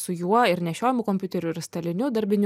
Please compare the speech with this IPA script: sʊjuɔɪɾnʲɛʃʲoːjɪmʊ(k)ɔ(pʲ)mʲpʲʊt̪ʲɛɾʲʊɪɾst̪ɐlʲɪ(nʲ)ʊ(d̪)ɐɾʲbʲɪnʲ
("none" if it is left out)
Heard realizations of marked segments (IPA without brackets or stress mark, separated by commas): k, none, nʲ, d̪